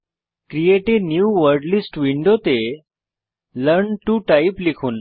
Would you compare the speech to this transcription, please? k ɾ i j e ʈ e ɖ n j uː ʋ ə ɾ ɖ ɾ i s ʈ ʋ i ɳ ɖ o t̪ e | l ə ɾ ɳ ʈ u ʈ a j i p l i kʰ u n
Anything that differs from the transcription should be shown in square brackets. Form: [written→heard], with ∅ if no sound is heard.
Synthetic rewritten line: k ɾ i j e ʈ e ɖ n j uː ʋ ə ɾ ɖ [ɾ→l] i s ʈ ʋ i ɳ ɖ o t̪ e | l ə ɾ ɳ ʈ u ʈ a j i p l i kʰ [u→uː] n

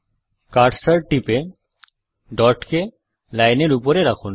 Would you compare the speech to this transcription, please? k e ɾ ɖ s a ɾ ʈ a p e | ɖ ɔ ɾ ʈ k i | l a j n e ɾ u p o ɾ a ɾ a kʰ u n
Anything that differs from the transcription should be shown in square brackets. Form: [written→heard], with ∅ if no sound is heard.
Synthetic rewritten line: k [e→a] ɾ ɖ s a ɾ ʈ [a→i] p e | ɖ ɔ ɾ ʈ k [i→e] | l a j n e ɾ u p o ɾ [a→e] ɾ a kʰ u n

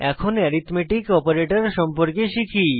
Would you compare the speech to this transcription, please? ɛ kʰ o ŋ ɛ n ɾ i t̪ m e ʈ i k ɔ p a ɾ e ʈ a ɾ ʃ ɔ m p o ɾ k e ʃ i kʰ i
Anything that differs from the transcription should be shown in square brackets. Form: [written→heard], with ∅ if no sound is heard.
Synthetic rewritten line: ɛ kʰ o [ŋ→n] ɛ [n→∅] ɾ i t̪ m e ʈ i k ɔ p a ɾ e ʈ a ɾ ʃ ɔ m p o ɾ k e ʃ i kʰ i

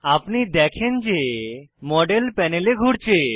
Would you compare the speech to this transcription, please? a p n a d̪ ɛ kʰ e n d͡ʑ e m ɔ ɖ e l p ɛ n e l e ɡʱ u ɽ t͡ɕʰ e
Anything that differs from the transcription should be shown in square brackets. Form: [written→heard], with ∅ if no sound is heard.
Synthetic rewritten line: a p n [a→i] d̪ ɛ kʰ e n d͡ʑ e m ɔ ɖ e l p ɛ n e l e ɡʱ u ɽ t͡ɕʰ e

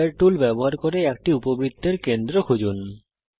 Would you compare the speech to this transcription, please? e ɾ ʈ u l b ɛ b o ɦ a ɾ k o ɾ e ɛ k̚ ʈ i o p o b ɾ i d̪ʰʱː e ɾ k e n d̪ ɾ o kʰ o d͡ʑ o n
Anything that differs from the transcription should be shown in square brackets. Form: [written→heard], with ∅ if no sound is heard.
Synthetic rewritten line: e ɾ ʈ u l b ɛ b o ɦ a ɾ k o ɾ e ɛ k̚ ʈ i [o→u] p o b ɾ i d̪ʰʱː e ɾ k e n d̪ ɾ o kʰ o d͡ʑ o n

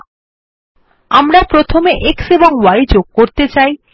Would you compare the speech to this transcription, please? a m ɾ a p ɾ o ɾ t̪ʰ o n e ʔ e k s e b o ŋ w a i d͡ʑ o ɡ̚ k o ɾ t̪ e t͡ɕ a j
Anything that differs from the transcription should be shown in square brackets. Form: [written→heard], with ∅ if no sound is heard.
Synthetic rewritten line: a m ɾ a p ɾ o [ɾ→∅] t̪ʰ o [n→m] e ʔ e k s e b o ŋ w a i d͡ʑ o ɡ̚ k o ɾ t̪ e t͡ɕ a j

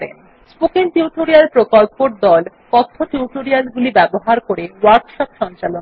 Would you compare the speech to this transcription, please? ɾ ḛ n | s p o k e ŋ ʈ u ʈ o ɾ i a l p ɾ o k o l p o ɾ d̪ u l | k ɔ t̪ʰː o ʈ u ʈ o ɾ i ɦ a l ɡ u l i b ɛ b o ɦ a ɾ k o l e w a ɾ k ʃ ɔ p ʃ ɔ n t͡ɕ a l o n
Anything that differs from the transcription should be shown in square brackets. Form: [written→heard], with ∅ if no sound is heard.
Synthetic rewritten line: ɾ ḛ n | s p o k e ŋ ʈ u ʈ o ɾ i a l p ɾ o k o l p o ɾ d̪ [u→ɔ] l | k ɔ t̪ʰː o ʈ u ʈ o ɾ i [ɦ→∅] a l ɡ u l i b ɛ b o ɦ a ɾ k o [l→ɾ] e w a ɾ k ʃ ɔ p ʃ ɔ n t͡ɕ a l o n

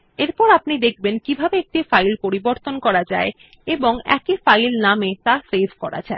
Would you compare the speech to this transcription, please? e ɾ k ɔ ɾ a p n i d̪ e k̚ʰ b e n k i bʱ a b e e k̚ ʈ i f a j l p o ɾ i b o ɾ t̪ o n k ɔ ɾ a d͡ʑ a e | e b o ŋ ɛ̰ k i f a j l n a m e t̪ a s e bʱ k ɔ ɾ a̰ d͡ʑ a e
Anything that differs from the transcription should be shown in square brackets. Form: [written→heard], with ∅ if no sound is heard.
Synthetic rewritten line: e ɾ [k→p] ɔ ɾ a p n i d̪ e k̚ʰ b e n k i bʱ a b e e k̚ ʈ i f a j l p o ɾ i b o ɾ t̪ o n k ɔ ɾ a d͡ʑ a e | e b o ŋ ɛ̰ k i f a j l n a m e t̪ a s e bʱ k ɔ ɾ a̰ d͡ʑ a e

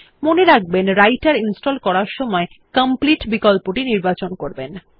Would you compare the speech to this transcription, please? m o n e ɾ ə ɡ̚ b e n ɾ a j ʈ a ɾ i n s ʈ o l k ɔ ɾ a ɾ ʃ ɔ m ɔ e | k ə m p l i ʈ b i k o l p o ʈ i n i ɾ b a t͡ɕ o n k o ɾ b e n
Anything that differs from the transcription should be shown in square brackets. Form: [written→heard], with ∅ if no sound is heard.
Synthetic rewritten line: m o n e ɾ [ə→a] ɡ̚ b e n ɾ a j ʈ a ɾ i n s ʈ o l k ɔ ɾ a ɾ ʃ ɔ m ɔ e | k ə m p l i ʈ b i k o l p o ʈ i n i ɾ b a t͡ɕ o n k o ɾ b e n

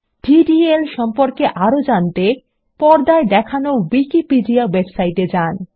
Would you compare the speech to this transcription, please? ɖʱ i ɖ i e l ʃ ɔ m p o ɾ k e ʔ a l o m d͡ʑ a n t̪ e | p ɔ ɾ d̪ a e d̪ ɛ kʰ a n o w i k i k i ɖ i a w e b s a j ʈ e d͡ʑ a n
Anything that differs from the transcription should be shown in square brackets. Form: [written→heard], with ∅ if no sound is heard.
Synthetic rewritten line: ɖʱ i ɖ i e l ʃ ɔ m p o ɾ k e ʔ a [l→ɾ] o [m→∅] d͡ʑ a n t̪ e | p ɔ ɾ d̪ a e d̪ ɛ kʰ a n o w i k i [k→p] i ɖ i a w e b s a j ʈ e d͡ʑ a n

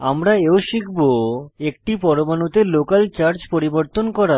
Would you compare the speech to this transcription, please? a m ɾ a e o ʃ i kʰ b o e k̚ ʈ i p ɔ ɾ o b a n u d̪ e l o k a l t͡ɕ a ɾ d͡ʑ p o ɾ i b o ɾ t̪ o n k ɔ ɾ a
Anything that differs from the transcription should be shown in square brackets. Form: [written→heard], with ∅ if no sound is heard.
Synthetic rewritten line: a m ɾ a e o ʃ i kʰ b o e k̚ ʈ i p ɔ ɾ o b a n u [d̪→t̪] e l o k a l t͡ɕ a ɾ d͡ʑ p o ɾ i b o ɾ t̪ o n k ɔ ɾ a

